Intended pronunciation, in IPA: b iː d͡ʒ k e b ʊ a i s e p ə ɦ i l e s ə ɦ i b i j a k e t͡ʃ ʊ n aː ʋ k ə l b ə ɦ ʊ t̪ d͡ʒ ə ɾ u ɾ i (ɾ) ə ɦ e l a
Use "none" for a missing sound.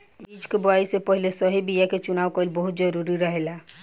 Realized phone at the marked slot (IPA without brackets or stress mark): ɾ